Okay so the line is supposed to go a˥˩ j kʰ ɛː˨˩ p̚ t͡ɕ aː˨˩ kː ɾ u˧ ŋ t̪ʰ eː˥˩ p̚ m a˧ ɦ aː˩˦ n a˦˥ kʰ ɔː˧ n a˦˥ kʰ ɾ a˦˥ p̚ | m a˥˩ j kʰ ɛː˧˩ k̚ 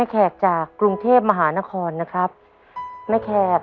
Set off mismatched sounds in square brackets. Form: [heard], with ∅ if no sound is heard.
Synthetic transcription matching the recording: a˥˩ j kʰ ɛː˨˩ [k̚] t͡ɕ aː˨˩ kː ɾ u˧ ŋ t̪ʰ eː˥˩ p̚ m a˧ ɦ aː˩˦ n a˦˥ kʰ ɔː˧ [nː] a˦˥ kʰ ɾ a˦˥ p̚ | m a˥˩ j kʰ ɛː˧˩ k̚